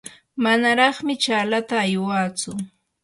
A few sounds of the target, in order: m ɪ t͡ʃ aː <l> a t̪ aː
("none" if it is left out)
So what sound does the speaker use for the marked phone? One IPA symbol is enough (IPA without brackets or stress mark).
l